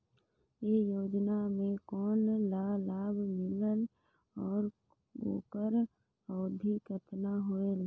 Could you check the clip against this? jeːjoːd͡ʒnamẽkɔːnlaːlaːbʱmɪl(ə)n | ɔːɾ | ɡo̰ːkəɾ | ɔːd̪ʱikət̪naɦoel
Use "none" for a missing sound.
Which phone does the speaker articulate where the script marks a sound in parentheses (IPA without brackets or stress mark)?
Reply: ə